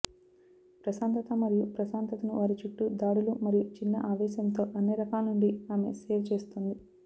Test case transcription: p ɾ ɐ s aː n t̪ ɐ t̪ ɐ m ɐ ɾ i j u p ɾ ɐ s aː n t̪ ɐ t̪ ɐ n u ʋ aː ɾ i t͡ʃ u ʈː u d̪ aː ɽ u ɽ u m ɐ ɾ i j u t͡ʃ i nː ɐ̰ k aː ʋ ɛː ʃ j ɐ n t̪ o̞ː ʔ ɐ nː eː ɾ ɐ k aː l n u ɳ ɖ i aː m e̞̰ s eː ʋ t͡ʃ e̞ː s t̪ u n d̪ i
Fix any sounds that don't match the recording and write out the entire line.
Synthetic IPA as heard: p ɾ ɐ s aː n t̪ ɐ t̪ ɐ m ɐ ɾ i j u p ɾ ɐ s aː n t̪ ɐ t̪ ɐ n u ʋ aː ɾ i t͡ʃ u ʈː u d̪ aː ɽ u l u m ɐ ɾ i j u t͡ʃ i nː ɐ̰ ʔ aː ʋ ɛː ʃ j ɐ n t̪ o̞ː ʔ ɐ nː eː ɾ ɐ k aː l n u ɳ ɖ i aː m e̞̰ s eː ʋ t͡ʃ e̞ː s t̪ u n d̪ i